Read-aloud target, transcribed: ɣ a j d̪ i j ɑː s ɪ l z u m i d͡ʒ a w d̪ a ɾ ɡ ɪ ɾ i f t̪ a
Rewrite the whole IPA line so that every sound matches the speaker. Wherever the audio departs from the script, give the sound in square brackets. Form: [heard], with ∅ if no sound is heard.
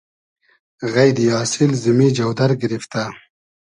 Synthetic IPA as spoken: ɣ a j d̪ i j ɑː s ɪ l z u m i d͡ʒ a w d̪ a ɾ ɡ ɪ ɾ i f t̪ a